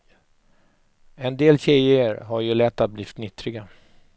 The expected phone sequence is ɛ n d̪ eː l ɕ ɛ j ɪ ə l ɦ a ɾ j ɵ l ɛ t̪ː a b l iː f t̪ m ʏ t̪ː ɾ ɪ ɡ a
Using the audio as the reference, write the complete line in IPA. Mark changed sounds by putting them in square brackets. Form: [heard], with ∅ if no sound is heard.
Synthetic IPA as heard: ɛ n d̪ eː l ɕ ɛ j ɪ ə [ɾ] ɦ a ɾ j ɵ l ɛ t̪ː a b l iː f t̪ [n] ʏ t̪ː ɾ ɪ ɡ a